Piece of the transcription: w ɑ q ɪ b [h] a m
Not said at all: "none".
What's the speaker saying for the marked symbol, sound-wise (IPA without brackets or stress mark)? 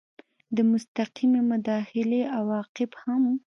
h